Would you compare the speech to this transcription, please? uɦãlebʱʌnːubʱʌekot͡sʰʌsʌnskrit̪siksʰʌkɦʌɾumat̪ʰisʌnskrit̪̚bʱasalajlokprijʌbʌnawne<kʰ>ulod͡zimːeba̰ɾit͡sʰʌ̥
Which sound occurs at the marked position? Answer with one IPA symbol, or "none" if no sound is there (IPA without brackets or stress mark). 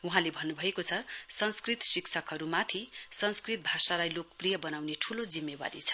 ʈʰ